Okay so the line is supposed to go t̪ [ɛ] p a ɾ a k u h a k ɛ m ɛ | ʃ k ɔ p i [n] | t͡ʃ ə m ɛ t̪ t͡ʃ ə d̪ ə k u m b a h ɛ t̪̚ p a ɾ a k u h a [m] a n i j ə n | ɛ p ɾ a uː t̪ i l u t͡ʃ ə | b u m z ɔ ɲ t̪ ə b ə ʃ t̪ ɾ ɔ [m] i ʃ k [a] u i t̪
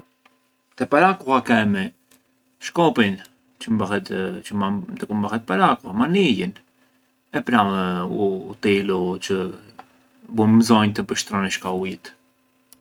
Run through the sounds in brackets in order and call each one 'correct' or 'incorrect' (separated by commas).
correct, correct, correct, incorrect, correct